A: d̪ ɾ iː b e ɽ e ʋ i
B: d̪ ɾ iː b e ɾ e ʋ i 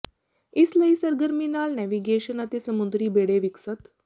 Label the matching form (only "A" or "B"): A